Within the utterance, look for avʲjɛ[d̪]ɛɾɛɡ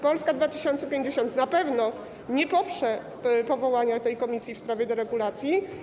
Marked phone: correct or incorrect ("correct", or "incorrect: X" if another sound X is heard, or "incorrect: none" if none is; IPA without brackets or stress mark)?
correct